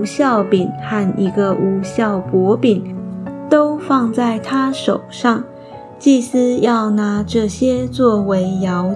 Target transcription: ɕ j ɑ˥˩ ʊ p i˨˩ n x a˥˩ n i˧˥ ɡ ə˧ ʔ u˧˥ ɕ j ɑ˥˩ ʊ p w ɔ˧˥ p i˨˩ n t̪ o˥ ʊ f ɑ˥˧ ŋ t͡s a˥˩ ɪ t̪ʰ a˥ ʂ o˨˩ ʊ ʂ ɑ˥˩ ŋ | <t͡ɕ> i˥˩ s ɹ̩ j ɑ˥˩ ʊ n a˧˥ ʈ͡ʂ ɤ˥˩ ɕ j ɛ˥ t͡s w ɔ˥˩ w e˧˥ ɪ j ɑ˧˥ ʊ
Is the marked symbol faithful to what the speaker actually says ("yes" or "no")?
yes